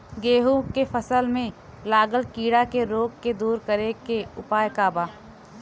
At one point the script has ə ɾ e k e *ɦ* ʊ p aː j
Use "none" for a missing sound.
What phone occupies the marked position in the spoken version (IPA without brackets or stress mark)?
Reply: none